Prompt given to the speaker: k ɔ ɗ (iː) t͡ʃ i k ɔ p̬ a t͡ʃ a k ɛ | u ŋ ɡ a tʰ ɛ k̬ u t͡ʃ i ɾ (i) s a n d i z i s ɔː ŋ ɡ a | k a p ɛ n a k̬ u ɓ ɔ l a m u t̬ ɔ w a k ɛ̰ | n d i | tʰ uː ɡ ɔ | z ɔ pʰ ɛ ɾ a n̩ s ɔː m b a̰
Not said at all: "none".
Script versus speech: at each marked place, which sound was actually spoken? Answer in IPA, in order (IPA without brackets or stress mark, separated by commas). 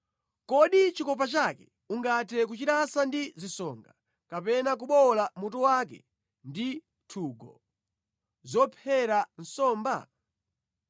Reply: i, a